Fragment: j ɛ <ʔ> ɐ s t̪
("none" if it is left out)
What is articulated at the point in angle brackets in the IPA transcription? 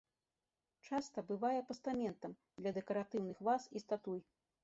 p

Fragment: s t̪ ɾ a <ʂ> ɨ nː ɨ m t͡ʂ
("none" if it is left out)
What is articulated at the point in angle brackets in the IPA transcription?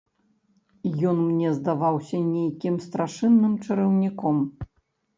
ʂ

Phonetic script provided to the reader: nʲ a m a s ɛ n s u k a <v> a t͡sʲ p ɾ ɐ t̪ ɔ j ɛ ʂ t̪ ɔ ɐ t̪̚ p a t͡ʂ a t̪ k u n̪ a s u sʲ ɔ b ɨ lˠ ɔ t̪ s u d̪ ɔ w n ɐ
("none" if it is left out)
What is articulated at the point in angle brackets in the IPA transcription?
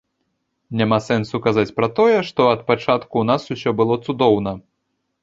z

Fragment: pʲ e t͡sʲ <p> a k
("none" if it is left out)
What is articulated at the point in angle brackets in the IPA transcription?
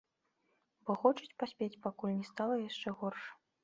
p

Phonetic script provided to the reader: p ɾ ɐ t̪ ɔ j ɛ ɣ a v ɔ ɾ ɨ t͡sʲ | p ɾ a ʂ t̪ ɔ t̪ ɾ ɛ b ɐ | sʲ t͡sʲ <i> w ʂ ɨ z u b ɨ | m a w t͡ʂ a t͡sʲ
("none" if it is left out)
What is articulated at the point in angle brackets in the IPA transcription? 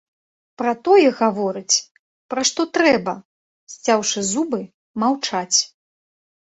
a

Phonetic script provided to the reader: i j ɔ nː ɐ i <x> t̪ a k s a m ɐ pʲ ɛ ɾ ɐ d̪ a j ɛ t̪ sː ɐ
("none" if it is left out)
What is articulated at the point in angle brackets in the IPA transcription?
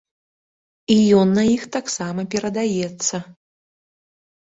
x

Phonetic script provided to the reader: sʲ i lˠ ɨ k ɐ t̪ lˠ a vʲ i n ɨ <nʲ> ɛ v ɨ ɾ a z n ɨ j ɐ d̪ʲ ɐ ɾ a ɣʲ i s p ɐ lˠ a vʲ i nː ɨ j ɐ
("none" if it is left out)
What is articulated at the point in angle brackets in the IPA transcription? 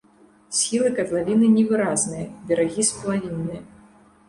nʲ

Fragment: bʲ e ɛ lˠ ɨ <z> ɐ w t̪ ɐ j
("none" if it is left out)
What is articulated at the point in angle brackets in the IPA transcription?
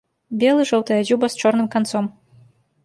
ʐ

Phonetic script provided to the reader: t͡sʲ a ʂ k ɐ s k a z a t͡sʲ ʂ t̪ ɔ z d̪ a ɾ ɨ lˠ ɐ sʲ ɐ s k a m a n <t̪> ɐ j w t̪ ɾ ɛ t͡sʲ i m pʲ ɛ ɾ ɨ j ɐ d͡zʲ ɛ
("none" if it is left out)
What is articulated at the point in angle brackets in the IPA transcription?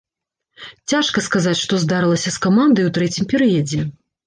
d̪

